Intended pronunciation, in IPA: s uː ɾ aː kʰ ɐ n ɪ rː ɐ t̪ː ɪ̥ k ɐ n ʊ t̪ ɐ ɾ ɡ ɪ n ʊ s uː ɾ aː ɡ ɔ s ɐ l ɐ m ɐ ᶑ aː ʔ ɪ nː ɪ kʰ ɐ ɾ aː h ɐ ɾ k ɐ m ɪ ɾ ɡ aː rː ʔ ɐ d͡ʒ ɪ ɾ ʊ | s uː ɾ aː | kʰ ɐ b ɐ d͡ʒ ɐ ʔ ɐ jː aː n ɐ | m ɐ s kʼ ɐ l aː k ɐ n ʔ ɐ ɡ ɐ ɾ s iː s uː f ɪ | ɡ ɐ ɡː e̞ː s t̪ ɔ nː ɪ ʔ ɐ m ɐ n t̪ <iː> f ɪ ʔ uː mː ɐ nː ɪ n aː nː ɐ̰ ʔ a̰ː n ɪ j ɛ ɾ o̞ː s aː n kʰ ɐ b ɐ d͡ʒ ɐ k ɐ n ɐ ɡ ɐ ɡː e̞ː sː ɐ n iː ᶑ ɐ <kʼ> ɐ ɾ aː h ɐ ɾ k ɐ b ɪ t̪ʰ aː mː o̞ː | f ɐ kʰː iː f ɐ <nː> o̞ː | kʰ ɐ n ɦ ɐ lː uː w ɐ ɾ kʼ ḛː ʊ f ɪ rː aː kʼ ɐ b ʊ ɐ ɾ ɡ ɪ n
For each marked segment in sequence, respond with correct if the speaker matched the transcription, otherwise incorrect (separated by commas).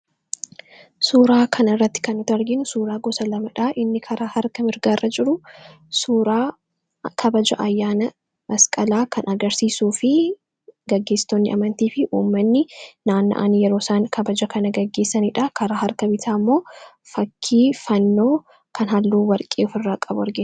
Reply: correct, incorrect, correct